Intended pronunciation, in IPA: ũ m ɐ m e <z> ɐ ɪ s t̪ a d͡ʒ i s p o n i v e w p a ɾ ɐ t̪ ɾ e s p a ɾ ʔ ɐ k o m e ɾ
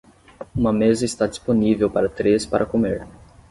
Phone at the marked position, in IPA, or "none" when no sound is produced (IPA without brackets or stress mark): z